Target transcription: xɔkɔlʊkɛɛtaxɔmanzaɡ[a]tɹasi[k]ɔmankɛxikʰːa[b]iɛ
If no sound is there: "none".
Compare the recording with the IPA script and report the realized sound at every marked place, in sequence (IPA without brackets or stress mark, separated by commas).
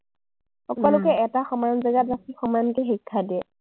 a, x, d